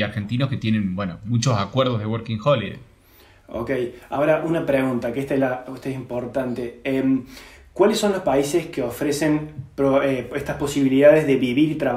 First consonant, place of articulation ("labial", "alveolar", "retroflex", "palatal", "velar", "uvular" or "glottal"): alveolar